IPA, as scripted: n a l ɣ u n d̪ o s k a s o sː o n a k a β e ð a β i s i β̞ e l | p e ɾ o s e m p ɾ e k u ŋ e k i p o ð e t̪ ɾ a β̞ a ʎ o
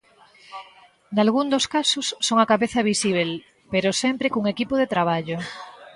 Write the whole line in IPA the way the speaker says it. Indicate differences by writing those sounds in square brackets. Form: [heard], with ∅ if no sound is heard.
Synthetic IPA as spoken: n a l ɣ u n d̪ o s k a s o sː o [ŋ] a k a β e [θ] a β i s i β̞ e l | p e ɾ o s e m p ɾ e k u ŋ e k i p o ð e t̪ ɾ a β̞ a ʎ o